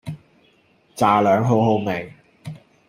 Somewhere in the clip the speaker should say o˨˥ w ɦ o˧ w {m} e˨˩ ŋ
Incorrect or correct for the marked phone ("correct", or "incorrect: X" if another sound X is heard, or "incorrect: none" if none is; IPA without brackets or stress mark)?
correct